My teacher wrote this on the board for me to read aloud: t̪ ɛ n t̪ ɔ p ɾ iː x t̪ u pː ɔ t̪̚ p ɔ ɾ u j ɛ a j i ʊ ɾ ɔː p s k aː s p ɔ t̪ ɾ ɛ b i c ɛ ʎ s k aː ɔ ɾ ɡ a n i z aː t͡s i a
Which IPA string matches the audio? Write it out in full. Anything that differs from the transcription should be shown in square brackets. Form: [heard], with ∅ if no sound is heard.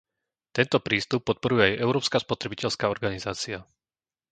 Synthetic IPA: t̪ ɛ n t̪ ɔ p ɾ iː [s] t̪ u pː ɔ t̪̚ p ɔ ɾ u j ɛ a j [ɛ] ʊ ɾ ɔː p s k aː s p ɔ t̪ ɾ ɛ b i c ɛ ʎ s k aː ɔ ɾ ɡ a n i z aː t͡s i a